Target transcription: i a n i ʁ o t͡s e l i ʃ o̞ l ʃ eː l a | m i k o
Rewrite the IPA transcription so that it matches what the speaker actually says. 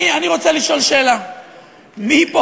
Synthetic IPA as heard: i a n i ʁ o t͡s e l i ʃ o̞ l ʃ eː l a | m i p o